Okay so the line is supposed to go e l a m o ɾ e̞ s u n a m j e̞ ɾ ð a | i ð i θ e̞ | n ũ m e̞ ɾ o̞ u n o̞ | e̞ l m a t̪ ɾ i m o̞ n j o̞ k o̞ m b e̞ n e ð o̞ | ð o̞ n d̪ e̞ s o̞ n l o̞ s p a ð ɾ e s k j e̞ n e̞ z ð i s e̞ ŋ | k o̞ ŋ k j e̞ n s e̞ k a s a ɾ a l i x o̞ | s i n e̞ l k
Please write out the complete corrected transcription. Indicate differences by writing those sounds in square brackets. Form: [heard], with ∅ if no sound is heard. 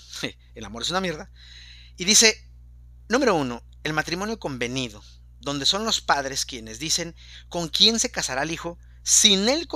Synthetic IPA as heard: e l a m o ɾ e̞ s u n a m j e̞ ɾ ð a | i ð i [s] e̞ | n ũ m e̞ ɾ o̞ u n o̞ | e̞ l m a t̪ ɾ i m o̞ n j o̞ k o̞ m b e̞ n [i] ð o̞ | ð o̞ n d̪ e̞ s o̞ n l o̞ s p a ð ɾ e s k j e̞ n e̞ z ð i s e̞ ŋ | k o̞ ŋ k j e̞ n s e̞ k a s a ɾ a l i x o̞ | s i n e̞ l k